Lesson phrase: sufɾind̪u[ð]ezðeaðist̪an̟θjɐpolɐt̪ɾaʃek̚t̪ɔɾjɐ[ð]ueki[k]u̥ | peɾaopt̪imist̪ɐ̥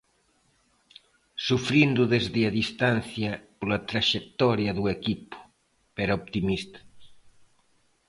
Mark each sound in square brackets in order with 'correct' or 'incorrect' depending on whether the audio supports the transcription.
correct, correct, incorrect: p

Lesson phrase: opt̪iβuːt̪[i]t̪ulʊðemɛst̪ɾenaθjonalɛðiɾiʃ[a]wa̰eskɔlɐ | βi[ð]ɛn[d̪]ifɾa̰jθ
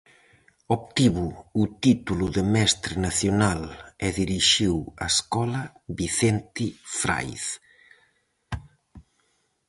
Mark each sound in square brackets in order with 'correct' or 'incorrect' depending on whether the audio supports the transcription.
correct, incorrect: i, incorrect: θ, incorrect: t̪

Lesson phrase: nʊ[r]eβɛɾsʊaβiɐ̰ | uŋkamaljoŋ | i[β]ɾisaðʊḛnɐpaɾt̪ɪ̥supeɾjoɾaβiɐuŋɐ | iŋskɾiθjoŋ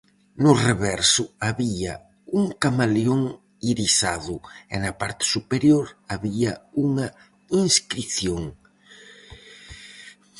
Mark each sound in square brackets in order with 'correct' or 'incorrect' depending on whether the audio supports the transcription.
correct, incorrect: none

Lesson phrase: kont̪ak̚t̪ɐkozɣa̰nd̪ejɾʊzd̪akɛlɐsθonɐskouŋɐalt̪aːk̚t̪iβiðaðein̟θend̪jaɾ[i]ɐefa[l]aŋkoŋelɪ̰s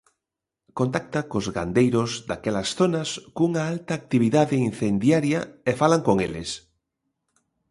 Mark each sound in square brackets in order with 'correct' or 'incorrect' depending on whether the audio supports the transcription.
incorrect: j, correct

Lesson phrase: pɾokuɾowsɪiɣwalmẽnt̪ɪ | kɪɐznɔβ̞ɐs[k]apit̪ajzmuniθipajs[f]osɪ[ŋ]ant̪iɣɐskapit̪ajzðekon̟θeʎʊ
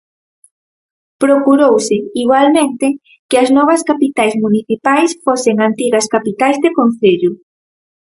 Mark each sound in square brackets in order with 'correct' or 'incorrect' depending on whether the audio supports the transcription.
correct, correct, correct

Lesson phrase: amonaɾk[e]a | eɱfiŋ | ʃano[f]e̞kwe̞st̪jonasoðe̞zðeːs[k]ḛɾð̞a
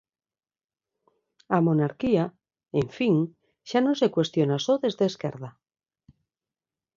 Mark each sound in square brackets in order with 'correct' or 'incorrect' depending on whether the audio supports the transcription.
incorrect: i, incorrect: s, correct

